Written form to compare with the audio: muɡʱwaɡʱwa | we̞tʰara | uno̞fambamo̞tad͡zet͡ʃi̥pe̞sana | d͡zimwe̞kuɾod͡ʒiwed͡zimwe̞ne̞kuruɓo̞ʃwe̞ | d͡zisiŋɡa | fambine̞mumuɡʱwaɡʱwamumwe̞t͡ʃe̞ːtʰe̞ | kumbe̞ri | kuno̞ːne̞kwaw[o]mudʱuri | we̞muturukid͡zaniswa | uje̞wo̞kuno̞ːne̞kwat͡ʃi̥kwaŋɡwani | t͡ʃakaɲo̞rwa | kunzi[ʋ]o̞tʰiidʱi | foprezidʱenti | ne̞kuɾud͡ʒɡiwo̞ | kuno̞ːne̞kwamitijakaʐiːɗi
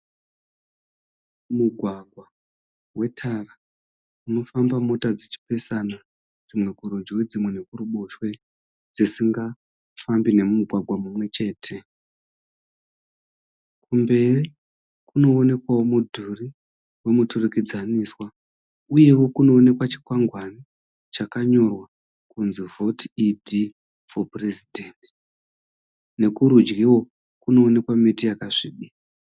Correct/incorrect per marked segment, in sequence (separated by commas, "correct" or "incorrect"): correct, incorrect